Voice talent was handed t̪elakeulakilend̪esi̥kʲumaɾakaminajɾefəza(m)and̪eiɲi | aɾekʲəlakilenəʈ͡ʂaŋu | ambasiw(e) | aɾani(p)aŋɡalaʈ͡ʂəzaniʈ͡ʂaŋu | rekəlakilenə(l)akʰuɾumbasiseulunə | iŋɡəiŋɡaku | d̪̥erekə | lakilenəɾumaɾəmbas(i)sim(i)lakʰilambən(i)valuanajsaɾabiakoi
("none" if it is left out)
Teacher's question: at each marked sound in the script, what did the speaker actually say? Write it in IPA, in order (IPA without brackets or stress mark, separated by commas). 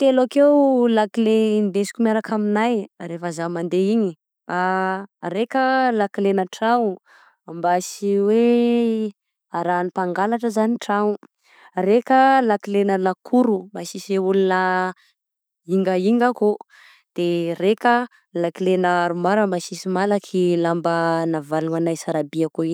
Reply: m, e, p, l, i, a, a